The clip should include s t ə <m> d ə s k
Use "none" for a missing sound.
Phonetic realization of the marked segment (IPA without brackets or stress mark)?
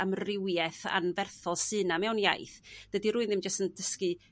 n